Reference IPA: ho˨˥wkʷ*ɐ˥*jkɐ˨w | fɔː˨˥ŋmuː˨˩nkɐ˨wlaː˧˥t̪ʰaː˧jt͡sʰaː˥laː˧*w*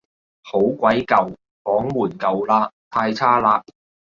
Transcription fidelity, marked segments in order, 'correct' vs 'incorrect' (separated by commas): incorrect, incorrect